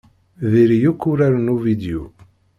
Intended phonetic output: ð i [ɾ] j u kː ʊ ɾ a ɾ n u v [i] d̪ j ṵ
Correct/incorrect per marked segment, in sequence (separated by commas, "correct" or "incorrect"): correct, correct